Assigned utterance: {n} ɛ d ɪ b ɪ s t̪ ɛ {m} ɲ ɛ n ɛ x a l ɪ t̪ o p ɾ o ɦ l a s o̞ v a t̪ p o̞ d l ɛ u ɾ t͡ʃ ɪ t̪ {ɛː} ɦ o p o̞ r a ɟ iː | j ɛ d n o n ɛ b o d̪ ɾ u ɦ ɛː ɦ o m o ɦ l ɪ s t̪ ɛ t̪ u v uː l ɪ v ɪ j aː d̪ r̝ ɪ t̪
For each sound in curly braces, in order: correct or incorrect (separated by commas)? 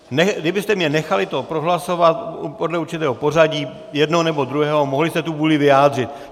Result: correct, correct, correct